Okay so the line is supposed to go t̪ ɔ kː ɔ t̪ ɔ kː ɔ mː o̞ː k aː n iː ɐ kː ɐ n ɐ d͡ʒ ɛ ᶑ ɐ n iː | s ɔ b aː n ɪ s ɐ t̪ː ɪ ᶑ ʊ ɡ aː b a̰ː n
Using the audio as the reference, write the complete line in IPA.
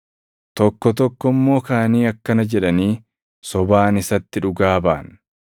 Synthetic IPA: t̪ ɔ kː ɔ t̪ ɔ kː ɔ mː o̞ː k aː n iː ɐ kː ɐ n ɐ d͡ʒ ɛ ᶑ ɐ n iː | s ɔ b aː n ɪ s ɐ t̪ː ɪ ᶑ ʊ ɡ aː b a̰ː n

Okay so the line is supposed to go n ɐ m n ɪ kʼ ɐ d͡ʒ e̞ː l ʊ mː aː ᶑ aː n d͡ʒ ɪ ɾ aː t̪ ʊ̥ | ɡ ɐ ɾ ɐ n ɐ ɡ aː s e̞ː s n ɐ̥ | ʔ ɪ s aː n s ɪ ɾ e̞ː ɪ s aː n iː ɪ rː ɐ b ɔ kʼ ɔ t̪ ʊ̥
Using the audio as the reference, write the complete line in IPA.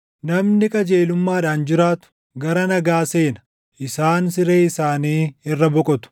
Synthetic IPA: n ɐ m n ɪ kʼ ɐ d͡ʒ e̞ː l ʊ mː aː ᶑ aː n d͡ʒ ɪ ɾ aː t̪ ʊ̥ | ɡ ɐ ɾ ɐ n ɐ ɡ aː s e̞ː n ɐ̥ | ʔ ɪ s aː n s ɪ ɾ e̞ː ɪ s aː n iː ɪ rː ɐ b ɔ kʼ ɔ t̪ ʊ̥

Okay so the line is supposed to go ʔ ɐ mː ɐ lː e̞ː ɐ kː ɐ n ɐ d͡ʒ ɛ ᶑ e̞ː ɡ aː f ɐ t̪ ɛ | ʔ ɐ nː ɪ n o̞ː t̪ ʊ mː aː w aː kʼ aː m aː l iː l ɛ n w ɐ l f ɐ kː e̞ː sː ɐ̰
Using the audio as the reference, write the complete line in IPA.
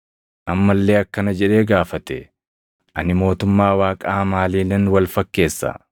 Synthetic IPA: ʔ ɐ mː ɐ lː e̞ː ɐ kː ɐ n ɐ d͡ʒ ɛ ᶑ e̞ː ɡ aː f ɐ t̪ ɛ | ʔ ɐ n ɪ m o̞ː t̪ ʊ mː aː w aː kʼ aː m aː l iː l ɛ n w ɐ l f ɐ kː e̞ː sː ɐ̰

